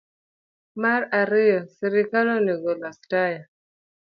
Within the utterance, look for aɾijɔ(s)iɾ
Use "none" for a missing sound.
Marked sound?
s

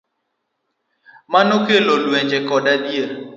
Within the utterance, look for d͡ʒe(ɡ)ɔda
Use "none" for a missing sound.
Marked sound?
k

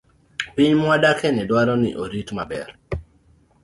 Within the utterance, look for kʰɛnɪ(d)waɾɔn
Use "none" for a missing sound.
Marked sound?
d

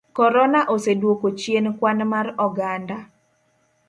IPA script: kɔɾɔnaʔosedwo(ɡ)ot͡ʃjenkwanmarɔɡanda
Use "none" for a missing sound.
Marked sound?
k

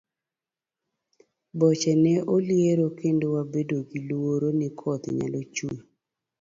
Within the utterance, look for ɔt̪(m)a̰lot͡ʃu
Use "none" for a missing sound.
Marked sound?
ɲ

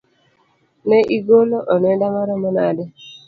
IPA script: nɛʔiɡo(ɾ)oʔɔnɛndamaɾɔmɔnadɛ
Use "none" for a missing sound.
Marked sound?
l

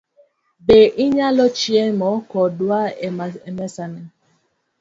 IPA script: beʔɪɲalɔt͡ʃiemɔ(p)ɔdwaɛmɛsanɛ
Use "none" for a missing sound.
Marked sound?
k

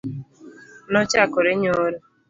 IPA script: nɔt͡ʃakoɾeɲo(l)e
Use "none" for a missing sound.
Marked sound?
ɾ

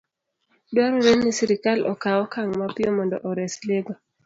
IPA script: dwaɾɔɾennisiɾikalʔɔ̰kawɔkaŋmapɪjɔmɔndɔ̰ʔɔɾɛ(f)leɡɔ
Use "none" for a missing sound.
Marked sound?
s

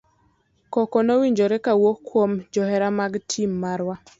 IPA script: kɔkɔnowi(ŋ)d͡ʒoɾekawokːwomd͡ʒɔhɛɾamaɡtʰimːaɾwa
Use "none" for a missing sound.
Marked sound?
ɲ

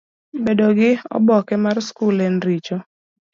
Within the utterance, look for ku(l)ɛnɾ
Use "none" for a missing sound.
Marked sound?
l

